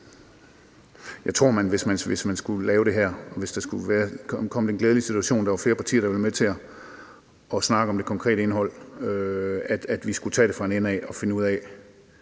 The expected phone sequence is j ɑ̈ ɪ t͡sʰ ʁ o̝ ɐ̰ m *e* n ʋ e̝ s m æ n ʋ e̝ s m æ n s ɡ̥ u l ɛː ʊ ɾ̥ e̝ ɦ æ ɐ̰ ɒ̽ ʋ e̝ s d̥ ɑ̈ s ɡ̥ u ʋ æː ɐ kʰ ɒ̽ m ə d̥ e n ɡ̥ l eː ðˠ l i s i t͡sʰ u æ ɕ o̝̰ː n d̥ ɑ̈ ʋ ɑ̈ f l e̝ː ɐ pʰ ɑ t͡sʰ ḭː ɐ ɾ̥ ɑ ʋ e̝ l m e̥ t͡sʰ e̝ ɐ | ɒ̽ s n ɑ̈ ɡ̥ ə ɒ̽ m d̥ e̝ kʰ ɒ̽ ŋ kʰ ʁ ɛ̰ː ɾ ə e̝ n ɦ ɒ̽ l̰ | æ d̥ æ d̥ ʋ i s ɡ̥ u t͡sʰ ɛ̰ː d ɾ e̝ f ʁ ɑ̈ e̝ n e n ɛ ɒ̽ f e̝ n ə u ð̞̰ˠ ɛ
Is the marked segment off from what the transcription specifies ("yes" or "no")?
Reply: yes